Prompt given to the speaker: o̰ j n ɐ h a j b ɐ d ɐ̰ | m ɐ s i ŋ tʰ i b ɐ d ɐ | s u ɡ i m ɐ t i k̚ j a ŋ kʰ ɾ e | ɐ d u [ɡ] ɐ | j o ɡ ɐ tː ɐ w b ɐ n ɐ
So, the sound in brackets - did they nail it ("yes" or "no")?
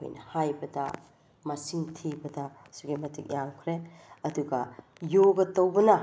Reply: yes